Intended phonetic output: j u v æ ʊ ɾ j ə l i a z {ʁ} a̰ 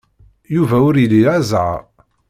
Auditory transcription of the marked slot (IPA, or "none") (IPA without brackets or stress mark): ʕ